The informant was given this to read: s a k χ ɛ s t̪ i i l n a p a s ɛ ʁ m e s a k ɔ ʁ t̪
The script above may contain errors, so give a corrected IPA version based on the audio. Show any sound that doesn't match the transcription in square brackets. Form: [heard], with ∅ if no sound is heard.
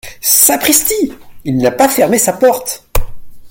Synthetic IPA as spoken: s a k χ [i] s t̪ i i l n a p a [f] ɛ ʁ m e s a [p] ɔ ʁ t̪